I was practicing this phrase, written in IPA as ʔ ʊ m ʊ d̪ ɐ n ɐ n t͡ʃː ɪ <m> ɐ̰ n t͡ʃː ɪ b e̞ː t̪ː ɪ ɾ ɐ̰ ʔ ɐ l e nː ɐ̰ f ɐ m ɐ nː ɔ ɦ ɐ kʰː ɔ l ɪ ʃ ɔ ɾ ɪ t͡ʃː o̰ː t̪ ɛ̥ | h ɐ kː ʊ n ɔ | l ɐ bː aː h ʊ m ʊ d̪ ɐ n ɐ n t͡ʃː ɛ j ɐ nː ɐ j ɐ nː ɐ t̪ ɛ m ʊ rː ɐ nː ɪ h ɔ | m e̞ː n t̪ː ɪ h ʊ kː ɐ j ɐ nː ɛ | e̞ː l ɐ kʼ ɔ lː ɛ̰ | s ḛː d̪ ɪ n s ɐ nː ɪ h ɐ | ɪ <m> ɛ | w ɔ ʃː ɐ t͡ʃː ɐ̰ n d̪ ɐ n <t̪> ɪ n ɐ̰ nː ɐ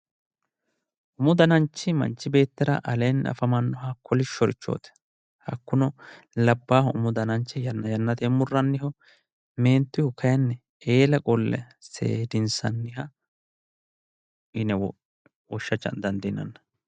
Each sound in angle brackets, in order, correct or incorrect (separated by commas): correct, incorrect, incorrect